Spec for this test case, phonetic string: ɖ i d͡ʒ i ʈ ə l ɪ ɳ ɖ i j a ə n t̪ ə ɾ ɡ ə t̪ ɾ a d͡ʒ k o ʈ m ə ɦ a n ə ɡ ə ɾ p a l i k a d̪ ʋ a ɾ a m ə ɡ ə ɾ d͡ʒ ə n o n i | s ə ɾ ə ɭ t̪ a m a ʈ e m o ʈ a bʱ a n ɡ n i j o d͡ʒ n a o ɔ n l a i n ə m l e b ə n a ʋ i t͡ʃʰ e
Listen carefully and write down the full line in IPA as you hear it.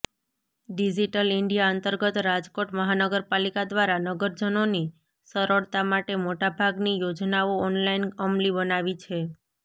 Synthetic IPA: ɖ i d͡ʒ i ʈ ə l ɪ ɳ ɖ i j a ə n t̪ ə ɾ ɡ ə t̪ ɾ a d͡ʒ k o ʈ m ə ɦ a n ə ɡ ə ɾ p a l i k a d̪ ʋ a ɾ a n ə ɡ ə ɾ d͡ʒ ə n o n i | s ə ɾ ə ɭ t̪ a m a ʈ e m o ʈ a bʱ a ɡ n i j o d͡ʒ n a o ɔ n l a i n ə m l i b ə n a ʋ i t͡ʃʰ e